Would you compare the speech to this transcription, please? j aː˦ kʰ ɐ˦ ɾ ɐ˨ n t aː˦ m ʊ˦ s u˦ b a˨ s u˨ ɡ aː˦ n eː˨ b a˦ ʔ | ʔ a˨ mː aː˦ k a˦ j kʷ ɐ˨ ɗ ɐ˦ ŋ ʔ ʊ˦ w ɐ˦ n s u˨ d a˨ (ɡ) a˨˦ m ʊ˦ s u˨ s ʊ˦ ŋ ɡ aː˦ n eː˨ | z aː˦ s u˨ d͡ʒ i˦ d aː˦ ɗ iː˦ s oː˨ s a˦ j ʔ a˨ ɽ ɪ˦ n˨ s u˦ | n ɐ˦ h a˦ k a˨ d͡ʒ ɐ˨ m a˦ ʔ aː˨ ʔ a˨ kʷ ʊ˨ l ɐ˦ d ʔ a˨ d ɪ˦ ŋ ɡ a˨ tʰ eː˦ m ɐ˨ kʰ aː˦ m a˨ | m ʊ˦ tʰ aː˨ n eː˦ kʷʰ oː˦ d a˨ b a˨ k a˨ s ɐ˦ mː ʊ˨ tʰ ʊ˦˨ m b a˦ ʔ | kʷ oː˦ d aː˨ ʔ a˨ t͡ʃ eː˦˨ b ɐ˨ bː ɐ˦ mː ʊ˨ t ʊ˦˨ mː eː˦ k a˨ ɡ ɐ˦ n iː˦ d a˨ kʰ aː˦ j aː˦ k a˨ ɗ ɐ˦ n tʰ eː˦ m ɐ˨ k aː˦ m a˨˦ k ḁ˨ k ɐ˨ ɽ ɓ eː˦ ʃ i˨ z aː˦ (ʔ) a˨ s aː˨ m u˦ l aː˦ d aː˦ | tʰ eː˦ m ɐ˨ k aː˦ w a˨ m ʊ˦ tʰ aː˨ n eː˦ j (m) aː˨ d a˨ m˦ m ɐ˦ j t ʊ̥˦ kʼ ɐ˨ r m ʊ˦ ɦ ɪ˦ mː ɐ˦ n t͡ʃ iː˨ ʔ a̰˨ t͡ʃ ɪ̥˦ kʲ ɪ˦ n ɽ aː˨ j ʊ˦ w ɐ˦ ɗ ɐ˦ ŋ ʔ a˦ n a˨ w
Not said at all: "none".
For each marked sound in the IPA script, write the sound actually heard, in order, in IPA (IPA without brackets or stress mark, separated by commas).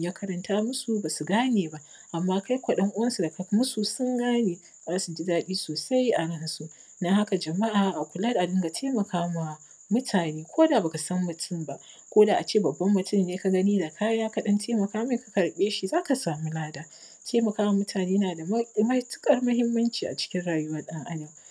k, k, n